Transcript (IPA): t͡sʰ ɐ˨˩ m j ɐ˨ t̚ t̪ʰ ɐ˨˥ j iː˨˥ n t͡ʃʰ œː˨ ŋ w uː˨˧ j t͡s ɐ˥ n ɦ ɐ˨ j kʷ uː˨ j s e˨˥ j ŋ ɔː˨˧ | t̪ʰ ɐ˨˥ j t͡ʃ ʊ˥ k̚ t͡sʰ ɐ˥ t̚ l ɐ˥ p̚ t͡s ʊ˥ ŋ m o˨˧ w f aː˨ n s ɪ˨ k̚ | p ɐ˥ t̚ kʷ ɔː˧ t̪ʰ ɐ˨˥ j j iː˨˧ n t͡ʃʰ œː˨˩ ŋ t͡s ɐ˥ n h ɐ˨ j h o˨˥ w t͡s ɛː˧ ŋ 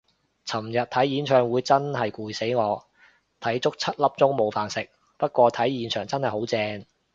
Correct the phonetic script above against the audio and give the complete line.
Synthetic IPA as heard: t͡sʰ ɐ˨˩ m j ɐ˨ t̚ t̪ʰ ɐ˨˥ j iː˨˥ n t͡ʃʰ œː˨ ŋ w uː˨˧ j t͡s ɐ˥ n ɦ ɐ˨ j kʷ uː˨ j s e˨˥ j ŋ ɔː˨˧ | t̪ʰ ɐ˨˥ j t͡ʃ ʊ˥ k̚ t͡sʰ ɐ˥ t̚ l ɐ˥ p̚ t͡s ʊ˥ ŋ m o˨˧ w f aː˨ n s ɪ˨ k̚ | p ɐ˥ t̚ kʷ ɔː˧ t̪ʰ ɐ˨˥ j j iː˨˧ n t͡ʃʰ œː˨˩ ŋ t͡s ɐ˥ n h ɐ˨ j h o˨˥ w t͡s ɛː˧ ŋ